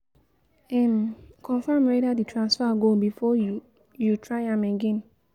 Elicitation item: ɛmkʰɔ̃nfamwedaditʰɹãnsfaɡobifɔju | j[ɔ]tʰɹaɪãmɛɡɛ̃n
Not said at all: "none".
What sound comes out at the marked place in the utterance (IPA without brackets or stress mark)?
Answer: u